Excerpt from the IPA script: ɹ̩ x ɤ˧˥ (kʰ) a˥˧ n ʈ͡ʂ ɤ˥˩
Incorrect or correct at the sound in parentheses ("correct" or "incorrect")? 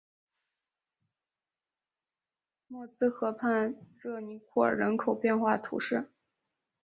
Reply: incorrect